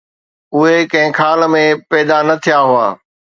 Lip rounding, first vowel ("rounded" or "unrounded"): rounded